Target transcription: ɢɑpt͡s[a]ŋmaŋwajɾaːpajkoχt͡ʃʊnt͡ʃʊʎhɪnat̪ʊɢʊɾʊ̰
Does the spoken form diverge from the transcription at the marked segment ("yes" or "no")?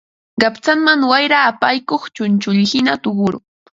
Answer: no